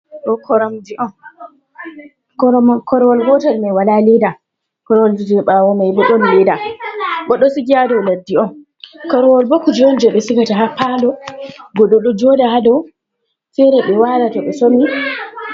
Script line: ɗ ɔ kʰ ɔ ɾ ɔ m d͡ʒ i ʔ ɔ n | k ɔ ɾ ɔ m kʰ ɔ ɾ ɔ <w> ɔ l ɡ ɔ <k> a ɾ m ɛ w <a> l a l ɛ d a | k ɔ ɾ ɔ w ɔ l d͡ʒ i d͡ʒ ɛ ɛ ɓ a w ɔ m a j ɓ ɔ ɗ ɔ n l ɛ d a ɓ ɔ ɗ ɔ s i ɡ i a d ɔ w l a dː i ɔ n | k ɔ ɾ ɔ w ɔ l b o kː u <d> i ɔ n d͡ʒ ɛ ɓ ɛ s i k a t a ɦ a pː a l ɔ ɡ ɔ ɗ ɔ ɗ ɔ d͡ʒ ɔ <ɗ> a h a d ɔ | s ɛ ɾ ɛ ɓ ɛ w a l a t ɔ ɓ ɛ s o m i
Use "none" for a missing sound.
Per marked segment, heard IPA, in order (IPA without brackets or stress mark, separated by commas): w, t, a, d͡ʒ, d